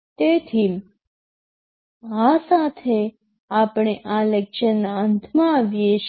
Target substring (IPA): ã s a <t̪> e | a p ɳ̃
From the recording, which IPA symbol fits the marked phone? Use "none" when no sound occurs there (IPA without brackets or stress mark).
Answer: t̪ʰ